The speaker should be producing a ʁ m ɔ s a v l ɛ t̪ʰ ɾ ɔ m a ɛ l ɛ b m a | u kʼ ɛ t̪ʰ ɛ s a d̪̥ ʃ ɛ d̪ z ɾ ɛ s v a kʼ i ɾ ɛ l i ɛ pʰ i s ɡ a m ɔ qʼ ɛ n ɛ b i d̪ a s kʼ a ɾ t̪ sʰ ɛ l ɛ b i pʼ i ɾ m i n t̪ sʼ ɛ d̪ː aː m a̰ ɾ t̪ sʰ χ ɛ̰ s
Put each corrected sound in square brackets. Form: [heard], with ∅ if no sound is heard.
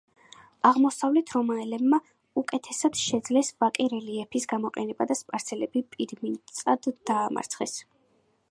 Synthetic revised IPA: a ʁ m ɔ s a v l ɛ t̪ʰ ɾ ɔ m a ɛ l ɛ b m a | u kʼ ɛ t̪ʰ ɛ s a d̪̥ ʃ ɛ d̪ z [l] ɛ s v a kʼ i ɾ ɛ l i ɛ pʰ i s ɡ a m ɔ qʼ ɛ n ɛ b [a] d̪ a s [pʼ] a ɾ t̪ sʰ ɛ l ɛ b i pʼ i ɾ m i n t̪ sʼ [a] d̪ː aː m a̰ ɾ t̪ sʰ χ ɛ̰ s